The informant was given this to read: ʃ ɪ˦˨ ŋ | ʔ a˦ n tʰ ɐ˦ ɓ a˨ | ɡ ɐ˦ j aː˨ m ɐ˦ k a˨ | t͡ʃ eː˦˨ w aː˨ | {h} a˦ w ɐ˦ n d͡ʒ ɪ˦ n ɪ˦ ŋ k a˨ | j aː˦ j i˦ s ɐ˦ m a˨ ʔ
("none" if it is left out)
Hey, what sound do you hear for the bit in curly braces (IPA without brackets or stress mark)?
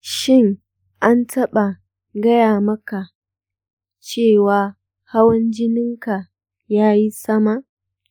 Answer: h